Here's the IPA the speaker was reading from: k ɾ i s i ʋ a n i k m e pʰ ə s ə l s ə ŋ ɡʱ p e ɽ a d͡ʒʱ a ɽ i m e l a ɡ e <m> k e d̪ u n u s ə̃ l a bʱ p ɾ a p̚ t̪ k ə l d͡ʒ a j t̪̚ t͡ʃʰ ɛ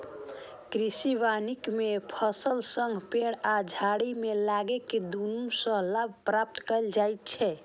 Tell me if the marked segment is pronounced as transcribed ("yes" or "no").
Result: no